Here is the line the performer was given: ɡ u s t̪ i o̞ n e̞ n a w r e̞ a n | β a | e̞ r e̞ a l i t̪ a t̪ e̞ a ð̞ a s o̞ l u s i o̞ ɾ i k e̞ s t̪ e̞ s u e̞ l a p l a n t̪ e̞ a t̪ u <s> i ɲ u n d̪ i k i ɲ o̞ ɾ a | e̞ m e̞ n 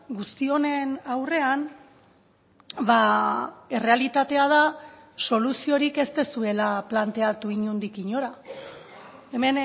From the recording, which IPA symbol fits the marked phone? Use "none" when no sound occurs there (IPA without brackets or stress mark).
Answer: none